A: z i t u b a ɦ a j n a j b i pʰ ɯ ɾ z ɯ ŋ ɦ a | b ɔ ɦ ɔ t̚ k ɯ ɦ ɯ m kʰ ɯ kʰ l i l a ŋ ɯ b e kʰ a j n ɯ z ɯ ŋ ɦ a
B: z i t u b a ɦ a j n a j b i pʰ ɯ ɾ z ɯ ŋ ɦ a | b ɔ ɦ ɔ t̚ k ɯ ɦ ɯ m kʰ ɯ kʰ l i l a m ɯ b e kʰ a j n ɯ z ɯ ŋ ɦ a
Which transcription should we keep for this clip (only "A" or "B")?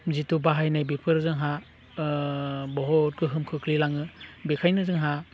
A